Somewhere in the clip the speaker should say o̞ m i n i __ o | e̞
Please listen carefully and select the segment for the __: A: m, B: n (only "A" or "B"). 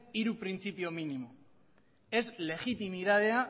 A